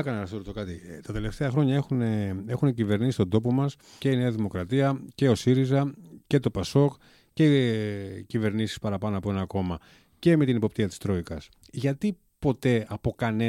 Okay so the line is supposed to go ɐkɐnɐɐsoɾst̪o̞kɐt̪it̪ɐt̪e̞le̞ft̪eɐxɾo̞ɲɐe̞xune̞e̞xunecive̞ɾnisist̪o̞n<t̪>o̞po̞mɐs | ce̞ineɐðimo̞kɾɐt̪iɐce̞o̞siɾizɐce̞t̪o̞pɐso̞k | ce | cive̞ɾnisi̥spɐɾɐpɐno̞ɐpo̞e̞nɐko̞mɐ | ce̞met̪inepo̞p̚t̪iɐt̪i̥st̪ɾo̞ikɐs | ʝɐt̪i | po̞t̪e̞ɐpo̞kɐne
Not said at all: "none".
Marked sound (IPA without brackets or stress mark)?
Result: d̪